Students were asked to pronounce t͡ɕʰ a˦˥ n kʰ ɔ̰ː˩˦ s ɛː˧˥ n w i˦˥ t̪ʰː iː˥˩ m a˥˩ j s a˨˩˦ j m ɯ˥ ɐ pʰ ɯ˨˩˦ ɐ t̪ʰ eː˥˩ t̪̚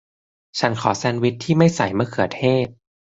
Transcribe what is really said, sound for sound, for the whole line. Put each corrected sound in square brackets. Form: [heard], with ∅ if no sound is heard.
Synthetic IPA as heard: t͡ɕʰ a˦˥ n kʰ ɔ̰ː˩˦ s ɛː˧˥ n w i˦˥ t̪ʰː iː˥˩ m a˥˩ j s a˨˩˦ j m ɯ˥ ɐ [kʰ] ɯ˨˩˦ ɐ t̪ʰ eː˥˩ t̪̚